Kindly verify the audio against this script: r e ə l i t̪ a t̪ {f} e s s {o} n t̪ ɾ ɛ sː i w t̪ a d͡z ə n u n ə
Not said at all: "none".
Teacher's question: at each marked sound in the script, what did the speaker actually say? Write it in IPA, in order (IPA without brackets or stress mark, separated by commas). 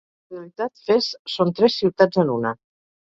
f, o